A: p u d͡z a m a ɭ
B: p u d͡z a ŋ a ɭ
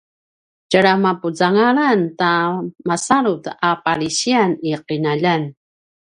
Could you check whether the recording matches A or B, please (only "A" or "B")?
B